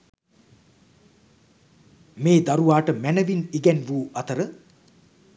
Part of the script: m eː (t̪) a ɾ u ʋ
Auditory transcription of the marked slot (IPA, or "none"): d̪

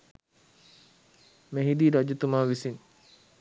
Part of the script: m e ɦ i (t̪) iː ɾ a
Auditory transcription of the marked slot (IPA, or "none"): d̪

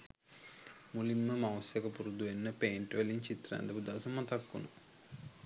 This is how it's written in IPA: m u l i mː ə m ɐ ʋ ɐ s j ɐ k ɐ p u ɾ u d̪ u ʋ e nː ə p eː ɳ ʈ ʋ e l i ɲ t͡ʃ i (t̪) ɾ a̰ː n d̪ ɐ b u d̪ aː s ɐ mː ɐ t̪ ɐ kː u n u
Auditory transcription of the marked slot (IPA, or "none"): t̪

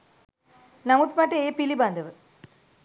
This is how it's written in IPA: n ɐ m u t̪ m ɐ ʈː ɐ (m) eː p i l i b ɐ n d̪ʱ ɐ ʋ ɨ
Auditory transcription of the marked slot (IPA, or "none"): none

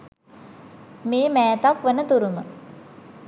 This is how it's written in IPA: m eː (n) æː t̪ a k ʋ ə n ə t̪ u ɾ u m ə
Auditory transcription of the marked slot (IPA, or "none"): m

